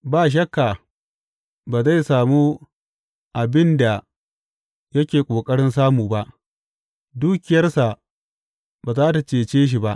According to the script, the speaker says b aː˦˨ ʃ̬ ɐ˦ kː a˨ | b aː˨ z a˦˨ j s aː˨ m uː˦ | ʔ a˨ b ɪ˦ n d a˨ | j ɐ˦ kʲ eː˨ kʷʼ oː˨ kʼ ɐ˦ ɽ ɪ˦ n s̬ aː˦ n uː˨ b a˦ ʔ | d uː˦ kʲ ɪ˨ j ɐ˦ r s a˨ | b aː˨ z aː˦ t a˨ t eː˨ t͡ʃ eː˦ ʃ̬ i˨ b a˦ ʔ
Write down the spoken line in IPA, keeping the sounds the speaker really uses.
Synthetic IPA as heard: b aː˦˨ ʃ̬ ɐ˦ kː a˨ | b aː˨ z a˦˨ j s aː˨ m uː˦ | ʔ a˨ b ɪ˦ n d a˨ | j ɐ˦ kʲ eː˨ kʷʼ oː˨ kʼ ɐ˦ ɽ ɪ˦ n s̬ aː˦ m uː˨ b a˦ ʔ | d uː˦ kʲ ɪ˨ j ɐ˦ r s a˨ | b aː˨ z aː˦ t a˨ t͡ʃ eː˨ t͡ʃ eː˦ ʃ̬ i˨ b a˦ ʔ